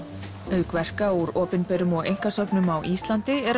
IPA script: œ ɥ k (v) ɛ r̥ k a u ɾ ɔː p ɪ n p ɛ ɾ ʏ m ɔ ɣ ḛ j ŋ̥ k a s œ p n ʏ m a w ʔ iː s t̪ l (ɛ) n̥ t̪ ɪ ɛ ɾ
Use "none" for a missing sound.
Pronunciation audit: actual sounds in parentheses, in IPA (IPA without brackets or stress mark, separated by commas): v, a